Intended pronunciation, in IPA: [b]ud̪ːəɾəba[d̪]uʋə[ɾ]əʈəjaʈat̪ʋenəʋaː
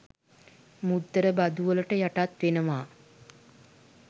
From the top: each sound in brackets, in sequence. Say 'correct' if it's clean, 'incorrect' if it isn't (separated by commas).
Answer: incorrect, correct, incorrect